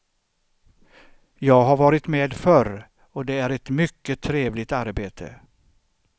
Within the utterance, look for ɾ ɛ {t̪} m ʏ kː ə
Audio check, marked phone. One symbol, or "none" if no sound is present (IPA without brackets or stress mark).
t̪